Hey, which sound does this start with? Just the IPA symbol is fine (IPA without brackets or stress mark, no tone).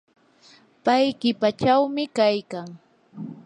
p